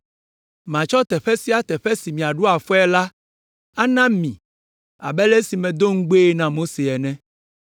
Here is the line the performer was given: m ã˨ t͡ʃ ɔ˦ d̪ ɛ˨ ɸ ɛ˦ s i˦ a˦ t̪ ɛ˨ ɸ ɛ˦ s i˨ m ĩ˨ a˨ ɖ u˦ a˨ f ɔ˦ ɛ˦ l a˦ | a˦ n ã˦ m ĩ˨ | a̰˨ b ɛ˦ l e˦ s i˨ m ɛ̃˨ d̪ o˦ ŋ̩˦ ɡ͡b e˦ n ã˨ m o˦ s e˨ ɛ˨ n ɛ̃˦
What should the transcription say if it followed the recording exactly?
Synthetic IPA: m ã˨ t͡ʃ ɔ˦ t̪ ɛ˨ ɸ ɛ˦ s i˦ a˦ t̪ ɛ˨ ɸ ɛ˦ s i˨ m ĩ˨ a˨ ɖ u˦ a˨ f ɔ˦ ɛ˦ l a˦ | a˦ n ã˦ m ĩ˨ | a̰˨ b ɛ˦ l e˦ s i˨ m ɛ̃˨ d̪ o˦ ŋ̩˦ ɡ͡b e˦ n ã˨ m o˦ s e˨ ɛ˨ n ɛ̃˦